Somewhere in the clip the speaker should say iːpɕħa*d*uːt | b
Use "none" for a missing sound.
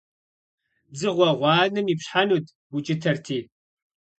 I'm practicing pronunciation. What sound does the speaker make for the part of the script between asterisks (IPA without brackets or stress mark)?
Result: n